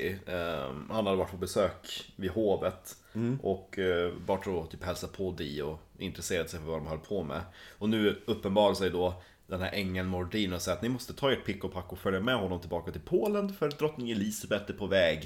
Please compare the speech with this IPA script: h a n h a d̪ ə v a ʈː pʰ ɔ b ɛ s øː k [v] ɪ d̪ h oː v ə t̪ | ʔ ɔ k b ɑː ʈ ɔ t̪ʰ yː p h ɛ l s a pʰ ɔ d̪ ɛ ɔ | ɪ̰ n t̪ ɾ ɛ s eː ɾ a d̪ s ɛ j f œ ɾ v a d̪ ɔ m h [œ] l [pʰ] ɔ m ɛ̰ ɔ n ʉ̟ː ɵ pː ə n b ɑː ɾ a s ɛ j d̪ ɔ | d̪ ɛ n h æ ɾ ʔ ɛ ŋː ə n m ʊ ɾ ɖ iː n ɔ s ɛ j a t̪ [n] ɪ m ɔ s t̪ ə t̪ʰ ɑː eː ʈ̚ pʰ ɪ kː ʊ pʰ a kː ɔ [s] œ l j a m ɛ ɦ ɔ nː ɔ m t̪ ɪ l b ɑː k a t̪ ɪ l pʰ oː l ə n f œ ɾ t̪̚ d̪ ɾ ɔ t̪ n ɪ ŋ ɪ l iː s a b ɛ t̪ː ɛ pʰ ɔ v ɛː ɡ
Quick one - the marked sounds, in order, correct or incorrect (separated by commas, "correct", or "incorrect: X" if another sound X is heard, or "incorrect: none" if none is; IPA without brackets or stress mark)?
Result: correct, correct, correct, correct, incorrect: f